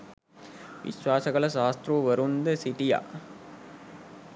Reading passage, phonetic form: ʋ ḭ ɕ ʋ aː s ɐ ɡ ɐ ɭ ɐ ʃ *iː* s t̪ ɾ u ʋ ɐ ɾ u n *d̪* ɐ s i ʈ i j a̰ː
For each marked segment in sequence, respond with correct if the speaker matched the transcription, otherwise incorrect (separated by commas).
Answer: incorrect, correct